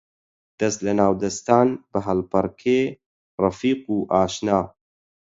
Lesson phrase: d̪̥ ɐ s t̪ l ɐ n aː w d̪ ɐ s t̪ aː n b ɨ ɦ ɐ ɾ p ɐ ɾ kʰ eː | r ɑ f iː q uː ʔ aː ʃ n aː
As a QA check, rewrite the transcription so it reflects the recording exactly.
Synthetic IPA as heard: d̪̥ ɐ s t̪ l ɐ n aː w d̪ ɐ s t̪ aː n b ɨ ɦ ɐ l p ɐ ɾ kʰ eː | r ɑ f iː q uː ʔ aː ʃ n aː